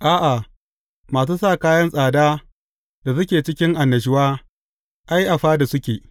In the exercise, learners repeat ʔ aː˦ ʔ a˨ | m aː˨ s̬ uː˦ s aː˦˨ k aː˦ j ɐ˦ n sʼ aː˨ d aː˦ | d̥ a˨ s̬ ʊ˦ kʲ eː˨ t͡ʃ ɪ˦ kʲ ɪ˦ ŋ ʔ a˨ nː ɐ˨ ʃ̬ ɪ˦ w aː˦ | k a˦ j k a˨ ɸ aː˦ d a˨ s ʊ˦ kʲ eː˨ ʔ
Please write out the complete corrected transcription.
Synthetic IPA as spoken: ʔ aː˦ ʔ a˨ | m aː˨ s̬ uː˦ s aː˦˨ k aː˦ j ɐ˦ n sʼ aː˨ d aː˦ | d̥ a˨ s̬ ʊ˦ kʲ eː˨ t͡ʃ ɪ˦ kʲ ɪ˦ ŋ ʔ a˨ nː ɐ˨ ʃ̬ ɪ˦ w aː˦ | ʔ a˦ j ʔ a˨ ɸ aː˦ d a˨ s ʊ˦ kʲ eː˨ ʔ